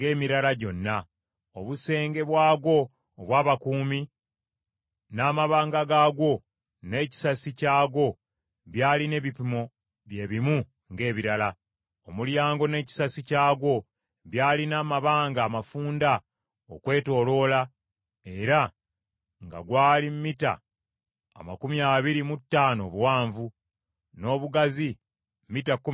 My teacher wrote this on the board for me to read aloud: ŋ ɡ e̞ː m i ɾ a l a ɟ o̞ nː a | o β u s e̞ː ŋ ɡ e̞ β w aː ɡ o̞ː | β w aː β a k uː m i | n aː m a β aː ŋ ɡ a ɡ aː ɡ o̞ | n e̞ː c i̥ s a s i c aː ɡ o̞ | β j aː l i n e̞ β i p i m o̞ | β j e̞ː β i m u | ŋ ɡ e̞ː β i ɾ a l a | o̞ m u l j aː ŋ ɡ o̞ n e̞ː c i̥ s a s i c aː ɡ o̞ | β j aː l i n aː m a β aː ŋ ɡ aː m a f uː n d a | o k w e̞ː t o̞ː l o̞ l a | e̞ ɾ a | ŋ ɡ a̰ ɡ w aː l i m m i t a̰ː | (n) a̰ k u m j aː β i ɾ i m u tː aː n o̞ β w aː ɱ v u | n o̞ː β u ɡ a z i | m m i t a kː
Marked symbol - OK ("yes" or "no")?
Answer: no